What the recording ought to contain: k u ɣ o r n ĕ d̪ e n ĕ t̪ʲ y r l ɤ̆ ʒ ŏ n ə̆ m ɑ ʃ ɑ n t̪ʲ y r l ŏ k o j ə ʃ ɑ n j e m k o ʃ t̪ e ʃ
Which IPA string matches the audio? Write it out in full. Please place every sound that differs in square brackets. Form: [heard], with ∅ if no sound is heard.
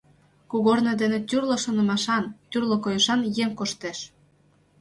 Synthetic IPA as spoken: k u ɣ o r n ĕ d̪ e n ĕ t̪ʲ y r l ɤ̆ [ʃ] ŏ n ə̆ m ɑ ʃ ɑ n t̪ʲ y r l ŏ k o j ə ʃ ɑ n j e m k o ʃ t̪ e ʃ